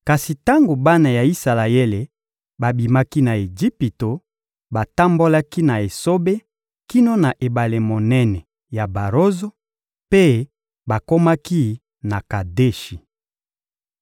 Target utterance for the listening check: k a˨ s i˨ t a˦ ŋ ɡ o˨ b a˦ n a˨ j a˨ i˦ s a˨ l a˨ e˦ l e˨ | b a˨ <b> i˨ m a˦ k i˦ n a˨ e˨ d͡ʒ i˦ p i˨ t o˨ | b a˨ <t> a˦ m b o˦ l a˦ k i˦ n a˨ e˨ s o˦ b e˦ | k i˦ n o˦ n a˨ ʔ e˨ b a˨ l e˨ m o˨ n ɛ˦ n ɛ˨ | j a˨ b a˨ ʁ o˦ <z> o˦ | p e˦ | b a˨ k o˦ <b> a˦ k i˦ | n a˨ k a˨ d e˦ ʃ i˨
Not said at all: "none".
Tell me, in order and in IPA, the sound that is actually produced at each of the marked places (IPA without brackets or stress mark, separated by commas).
b, t, z, m